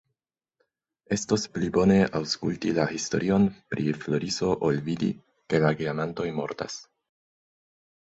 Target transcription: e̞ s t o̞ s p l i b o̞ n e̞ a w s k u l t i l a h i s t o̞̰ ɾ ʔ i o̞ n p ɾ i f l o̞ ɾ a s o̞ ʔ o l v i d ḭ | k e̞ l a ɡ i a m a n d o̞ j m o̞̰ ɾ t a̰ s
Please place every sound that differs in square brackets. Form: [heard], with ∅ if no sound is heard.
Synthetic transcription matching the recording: e̞ s t o̞ s p l i b o̞ n e̞ a w s k u l t i l a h i s t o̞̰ ɾ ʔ i o̞ n p ɾ i f l o̞ ɾ [i] s o̞ ʔ o l v i d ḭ | k e̞ l a ɡ i a m a n [t] o̞ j m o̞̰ ɾ t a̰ s